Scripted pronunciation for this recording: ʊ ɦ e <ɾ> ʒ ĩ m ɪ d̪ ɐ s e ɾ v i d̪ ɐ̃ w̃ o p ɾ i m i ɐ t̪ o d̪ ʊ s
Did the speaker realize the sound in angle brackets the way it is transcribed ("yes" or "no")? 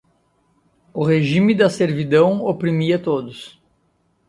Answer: no